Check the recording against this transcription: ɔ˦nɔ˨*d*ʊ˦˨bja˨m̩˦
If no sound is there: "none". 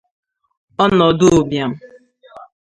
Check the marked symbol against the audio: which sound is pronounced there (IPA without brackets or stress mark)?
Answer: d